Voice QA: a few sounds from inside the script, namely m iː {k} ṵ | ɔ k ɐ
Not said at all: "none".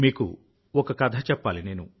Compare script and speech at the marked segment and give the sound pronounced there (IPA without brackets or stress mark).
k